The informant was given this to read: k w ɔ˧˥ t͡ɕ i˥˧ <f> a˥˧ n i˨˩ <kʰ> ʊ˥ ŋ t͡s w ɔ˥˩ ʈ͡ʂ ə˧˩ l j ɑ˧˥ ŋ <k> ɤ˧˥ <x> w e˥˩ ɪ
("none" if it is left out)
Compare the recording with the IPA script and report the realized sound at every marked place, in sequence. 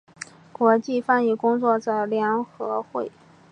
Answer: f, k, x, x

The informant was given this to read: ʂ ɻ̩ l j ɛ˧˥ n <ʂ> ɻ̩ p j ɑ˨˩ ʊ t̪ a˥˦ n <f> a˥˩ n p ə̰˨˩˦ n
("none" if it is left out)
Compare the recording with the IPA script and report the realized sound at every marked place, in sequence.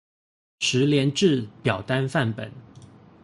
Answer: ʈ͡ʂ, f

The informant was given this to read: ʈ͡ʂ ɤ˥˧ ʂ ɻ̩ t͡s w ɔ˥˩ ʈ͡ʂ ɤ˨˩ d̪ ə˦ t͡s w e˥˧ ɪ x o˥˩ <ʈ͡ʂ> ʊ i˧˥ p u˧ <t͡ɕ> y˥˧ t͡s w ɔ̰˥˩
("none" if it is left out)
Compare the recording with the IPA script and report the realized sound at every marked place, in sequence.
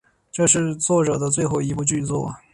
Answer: none, t͡ɕ

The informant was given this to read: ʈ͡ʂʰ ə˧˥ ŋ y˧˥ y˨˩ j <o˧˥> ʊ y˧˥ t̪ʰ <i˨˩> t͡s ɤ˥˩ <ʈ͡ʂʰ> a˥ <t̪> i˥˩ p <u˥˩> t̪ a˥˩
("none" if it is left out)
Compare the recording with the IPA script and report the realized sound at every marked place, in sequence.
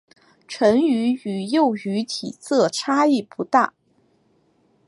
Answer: o˥˩, i˨˩, ʈ͡ʂʰ, none, u˧˥

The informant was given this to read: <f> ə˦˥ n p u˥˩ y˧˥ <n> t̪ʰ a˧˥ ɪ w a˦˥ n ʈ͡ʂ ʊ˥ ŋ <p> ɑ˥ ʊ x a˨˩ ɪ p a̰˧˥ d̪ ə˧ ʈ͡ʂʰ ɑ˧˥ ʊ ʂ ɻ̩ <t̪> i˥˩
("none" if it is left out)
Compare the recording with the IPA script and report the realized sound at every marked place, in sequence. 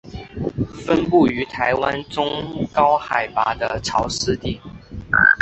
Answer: f, none, k, t̪

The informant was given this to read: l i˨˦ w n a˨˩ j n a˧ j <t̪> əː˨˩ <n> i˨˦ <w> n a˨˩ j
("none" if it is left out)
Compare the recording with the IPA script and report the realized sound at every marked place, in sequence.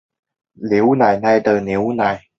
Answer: t̪, n, w

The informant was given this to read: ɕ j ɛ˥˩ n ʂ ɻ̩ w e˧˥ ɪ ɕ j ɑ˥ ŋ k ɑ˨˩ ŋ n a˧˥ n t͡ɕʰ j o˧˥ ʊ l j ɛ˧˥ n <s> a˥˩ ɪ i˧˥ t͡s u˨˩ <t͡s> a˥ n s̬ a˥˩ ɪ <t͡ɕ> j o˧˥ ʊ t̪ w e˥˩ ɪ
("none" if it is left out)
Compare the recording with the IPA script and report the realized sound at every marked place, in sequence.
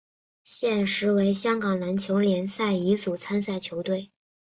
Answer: s, t͡sʰ, t͡ɕʰ

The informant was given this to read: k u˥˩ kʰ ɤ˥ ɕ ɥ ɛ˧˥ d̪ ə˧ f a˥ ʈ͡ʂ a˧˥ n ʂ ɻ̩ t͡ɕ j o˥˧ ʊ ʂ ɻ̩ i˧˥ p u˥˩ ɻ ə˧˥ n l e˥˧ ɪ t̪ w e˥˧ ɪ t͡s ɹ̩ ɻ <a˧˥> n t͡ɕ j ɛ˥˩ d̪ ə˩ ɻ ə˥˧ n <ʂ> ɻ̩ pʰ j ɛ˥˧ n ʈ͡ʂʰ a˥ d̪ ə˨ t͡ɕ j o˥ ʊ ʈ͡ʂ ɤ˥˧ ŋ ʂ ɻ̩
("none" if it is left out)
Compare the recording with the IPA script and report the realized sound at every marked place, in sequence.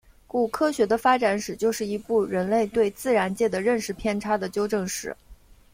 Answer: a˧˥, ʂ

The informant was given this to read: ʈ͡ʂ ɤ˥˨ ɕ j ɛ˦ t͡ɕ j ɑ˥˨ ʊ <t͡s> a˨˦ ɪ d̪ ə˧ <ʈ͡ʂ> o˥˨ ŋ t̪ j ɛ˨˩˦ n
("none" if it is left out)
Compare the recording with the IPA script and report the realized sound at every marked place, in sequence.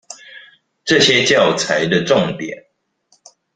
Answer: t͡sʰ, ʈ͡ʂ

